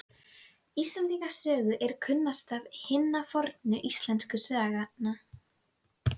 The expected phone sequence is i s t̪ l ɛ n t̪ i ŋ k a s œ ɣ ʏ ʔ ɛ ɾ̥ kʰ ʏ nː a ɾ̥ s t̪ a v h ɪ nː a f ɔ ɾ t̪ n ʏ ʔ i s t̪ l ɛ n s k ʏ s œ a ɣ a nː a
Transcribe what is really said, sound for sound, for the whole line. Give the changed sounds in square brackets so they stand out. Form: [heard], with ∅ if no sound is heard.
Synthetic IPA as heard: i s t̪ l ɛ n t̪ i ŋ k a s [œː] ɣ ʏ ʔ ɛ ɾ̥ kʰ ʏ nː a [∅] s t̪ a v h ɪ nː a f ɔ ɾ t̪ n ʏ ʔ i s t̪ l ɛ n s k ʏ s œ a ɣ a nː a

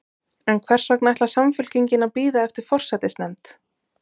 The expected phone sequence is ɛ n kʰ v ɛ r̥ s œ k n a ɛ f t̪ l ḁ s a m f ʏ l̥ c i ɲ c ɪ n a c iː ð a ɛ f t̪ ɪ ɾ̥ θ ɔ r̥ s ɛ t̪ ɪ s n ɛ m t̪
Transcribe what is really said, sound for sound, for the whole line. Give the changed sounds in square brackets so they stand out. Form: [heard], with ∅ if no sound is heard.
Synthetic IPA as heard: ɛ n kʰ v ɛ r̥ s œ k n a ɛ [h] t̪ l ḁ s a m f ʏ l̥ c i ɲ c ɪ n a [p] iː ð a ɛ f t̪ ɪ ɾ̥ [f] ɔ r̥ s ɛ t̪ ɪ s n ɛ m t̪

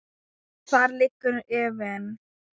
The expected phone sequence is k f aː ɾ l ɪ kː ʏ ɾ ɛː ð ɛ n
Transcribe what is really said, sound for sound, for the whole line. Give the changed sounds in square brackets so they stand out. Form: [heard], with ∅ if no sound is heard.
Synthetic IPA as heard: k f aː ɾ l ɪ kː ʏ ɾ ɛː [v] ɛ n

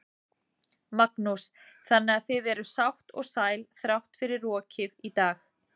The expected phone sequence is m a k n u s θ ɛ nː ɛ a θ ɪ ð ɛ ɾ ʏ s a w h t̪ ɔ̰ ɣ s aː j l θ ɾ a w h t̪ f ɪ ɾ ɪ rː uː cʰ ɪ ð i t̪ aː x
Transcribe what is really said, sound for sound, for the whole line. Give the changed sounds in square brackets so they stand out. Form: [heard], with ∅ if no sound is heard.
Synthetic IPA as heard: m a k n u s θ [a] nː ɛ a θ ɪ ð ɛ ɾ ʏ s a w h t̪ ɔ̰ ɣ s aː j l θ ɾ a w h t̪ f ɪ ɾ ɪ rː [ɔː] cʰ ɪ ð i t̪ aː x

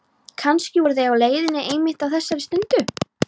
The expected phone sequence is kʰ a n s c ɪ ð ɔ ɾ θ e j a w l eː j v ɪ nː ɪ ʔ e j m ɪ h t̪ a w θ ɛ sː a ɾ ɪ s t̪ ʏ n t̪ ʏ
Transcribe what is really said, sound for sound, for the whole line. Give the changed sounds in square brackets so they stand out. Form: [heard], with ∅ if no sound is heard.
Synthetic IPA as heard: kʰ a n s c ɪ [v] ɔ ɾ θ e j a w l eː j [ð] ɪ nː ɪ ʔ e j m ɪ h t̪ a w θ ɛ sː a ɾ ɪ s t̪ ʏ n t̪ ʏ

